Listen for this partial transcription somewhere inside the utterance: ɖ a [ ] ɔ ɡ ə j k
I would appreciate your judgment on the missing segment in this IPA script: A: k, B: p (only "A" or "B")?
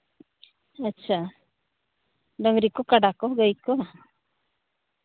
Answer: A